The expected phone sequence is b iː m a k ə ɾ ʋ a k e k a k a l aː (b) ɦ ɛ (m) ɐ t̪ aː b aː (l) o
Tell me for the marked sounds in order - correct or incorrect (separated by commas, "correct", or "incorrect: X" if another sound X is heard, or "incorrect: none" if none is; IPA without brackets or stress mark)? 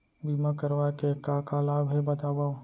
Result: correct, incorrect: b, incorrect: none